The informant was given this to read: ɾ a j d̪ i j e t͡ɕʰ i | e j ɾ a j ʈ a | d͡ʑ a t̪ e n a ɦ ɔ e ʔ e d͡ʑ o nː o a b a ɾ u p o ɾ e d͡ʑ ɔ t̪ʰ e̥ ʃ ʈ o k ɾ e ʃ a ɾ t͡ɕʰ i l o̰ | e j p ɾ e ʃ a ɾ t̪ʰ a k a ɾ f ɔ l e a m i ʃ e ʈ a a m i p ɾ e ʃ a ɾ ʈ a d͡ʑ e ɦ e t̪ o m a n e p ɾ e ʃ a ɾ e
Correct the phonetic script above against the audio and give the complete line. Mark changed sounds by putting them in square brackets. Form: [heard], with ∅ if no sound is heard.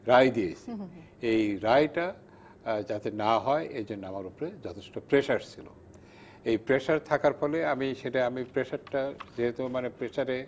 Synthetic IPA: ɾ a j d̪ i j e t͡ɕʰ i | e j ɾ a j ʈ a | d͡ʑ a t̪ e n a ɦ ɔ e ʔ e d͡ʑ o nː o a [m] a ɾ u p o ɾ e d͡ʑ ɔ t̪ʰ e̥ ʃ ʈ o [p] ɾ e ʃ a ɾ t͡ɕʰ i l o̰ | e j p ɾ e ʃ a ɾ t̪ʰ a k a ɾ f ɔ l e a m i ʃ e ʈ a a m i p ɾ e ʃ a ɾ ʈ a d͡ʑ e ɦ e t̪ o m a n e p ɾ e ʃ a ɾ e